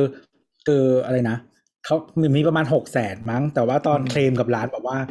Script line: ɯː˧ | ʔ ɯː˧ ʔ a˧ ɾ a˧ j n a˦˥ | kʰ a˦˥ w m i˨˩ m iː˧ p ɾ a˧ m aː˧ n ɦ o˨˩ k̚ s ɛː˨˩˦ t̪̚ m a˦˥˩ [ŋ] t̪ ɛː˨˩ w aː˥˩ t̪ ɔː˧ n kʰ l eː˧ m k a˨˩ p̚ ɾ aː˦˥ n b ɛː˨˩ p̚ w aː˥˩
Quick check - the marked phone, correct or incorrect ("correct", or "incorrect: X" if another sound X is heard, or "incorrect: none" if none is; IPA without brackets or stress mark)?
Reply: correct